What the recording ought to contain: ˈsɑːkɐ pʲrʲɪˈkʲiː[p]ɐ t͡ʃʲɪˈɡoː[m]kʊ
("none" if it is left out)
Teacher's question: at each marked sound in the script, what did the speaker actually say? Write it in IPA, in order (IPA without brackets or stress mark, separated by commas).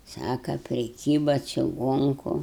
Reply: b, ŋ